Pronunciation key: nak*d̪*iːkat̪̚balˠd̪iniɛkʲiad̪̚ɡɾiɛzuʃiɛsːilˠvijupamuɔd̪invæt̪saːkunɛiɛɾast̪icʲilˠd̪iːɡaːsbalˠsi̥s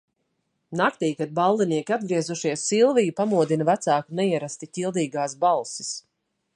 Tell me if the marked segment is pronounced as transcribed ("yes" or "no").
no